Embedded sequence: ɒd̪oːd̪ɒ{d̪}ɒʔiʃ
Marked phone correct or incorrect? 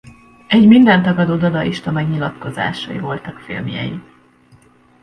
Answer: correct